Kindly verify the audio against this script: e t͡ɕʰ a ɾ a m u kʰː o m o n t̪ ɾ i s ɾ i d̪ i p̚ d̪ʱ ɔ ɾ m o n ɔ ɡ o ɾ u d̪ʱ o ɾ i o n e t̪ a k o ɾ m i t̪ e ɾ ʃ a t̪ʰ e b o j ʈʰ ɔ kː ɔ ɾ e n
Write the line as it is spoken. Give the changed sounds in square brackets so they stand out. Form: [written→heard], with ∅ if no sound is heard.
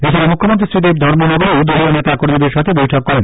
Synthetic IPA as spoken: e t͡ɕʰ a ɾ a m u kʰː o m o n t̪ ɾ i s ɾ i d̪ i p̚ d̪ʱ ɔ ɾ m o n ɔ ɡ o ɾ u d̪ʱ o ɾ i o n e t̪ a k o ɾ m i [t̪→d̪] e ɾ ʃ a t̪ʰ e b o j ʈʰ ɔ kː ɔ ɾ e n